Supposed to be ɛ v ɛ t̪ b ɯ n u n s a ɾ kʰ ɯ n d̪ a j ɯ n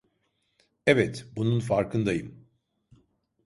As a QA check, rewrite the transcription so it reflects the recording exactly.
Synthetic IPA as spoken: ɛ v ɛ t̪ b u n u n f a ɾ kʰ ɯ n d̪ a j ɯ m

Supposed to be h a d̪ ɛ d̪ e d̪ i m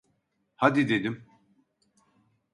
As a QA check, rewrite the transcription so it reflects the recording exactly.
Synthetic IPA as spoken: h a d̪ i d̪ e d̪ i m

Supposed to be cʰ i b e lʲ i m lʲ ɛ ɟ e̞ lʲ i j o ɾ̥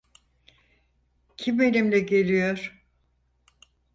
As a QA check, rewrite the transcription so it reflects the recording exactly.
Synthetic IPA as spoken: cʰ i m e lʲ i m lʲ ɛ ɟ e̞ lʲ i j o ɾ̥

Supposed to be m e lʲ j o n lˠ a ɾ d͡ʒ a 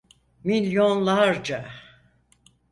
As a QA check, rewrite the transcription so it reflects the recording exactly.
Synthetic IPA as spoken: m i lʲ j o n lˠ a ɾ d͡ʒ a

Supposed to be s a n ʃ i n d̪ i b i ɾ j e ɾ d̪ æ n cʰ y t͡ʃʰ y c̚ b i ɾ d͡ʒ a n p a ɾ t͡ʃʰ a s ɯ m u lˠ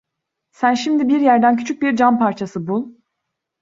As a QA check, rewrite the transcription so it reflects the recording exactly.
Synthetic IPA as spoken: s æ n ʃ i m d̪ i b i ɾ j æ ɾ d̪ æ n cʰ y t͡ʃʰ y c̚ b i ɾ d͡ʒ a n p a ɾ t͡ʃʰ a s ɯ b u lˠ

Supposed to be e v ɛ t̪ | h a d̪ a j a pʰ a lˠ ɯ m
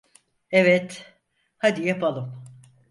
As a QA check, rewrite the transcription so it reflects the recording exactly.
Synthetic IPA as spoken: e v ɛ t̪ | h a d̪ i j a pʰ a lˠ ɯ m

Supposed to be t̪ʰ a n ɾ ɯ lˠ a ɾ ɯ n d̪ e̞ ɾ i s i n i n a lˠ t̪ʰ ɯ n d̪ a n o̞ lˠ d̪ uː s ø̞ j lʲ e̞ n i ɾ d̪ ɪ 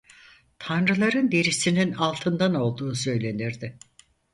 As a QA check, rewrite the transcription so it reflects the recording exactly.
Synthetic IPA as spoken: t̪ʰ a n ɾ ɯ lˠ a ɾ ɯ n d̪ e̞ ɾ i s i n i n a lˠ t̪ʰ ɯ n d̪ a n o̞ lˠ d̪ uː s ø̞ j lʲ e̞ n i ɾ d̪ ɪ

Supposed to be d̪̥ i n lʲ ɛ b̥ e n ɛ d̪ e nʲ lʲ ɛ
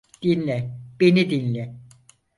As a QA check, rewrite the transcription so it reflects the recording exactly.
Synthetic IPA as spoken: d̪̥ i n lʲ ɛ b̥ e n i d̪ i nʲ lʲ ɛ

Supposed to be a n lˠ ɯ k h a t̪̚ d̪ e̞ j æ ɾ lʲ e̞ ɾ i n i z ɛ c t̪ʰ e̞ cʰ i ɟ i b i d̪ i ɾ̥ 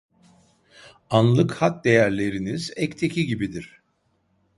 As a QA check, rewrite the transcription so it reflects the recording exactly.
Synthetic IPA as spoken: a n lˠ ɯ k h a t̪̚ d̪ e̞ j æ ɾ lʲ e̞ ɾ i n i z ɛ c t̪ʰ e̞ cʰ i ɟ i b i d̪ i ɾ̥

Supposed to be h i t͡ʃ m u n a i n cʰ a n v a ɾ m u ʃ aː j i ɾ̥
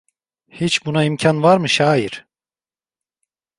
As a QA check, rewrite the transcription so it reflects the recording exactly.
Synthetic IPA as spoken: h i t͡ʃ b u n a i m cʰ a n v a ɾ m ɯ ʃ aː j i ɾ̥

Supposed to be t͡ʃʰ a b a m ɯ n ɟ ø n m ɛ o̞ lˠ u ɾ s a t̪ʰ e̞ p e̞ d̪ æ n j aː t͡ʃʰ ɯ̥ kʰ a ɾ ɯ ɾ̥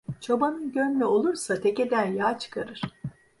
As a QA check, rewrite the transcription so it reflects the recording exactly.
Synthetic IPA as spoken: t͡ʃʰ a b a n ɯ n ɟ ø n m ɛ o̞ lˠ u ɾ s a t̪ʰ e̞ c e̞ d̪ æ n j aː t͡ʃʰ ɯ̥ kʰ a ɾ ɯ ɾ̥

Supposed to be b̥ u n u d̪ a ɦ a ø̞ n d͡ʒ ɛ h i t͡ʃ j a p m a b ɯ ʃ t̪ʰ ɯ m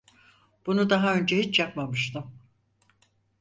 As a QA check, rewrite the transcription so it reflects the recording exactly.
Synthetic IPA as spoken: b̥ u n u d̪ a ɦ a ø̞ n d͡ʒ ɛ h i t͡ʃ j a p m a m ɯ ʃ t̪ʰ ɯ m

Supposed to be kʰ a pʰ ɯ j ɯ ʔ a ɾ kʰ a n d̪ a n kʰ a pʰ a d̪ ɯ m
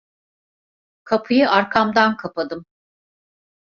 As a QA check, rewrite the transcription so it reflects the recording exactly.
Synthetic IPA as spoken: kʰ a pʰ ɯ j ɯ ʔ a ɾ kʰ a m d̪ a n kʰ a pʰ a d̪ ɯ m

